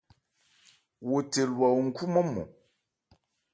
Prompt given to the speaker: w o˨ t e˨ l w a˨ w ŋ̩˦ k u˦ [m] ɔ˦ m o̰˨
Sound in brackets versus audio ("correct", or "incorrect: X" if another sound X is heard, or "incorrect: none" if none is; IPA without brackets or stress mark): correct